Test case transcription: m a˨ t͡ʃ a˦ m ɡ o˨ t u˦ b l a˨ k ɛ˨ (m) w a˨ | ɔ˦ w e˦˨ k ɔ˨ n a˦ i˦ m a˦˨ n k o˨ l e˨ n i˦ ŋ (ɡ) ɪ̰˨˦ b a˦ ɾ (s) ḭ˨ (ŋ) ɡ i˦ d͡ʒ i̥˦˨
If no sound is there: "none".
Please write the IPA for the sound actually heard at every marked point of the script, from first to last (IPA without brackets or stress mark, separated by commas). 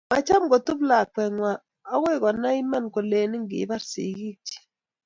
ŋ, ɡ, s, none